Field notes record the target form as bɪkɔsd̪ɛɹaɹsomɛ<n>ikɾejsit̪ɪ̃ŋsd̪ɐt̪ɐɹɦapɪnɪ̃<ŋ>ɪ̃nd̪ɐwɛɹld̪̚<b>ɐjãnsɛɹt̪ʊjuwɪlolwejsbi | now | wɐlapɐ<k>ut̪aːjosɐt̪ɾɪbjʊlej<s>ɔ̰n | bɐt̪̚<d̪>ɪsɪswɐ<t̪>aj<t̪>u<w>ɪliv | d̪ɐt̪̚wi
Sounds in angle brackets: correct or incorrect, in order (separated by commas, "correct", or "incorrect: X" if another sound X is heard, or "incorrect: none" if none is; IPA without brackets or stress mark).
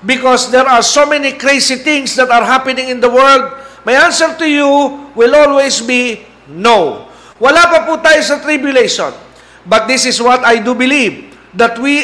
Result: correct, correct, incorrect: m, incorrect: p, incorrect: ʃ, correct, correct, incorrect: d̪, incorrect: b